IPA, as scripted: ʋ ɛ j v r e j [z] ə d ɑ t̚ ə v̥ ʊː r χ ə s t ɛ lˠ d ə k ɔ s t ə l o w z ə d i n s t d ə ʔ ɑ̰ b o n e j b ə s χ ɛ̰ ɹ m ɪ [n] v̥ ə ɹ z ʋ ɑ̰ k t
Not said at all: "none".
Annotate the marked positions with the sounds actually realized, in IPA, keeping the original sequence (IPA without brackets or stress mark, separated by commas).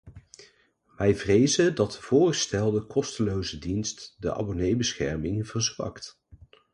z, ŋ